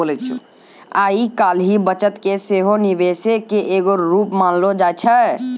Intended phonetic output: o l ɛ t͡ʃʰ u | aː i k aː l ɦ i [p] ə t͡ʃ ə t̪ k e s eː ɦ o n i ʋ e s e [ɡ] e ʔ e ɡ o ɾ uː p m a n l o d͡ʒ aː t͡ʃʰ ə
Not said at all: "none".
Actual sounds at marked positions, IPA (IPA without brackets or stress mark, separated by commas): b, k